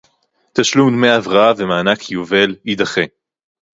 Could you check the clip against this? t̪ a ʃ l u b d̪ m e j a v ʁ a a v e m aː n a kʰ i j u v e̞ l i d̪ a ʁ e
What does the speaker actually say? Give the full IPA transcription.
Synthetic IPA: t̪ a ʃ l u m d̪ m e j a v ʁ a a v e m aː n a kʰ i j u v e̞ l i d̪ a χ e

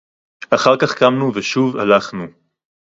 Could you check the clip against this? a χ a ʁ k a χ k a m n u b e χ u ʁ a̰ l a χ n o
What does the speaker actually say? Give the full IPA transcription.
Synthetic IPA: a χ a ʁ k a χ k a m n u v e ʃ u v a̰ l a χ n u

